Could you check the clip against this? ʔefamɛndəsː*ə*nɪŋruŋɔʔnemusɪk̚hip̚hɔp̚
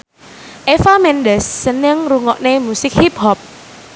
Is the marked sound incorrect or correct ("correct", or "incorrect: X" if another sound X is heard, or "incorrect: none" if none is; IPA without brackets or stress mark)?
correct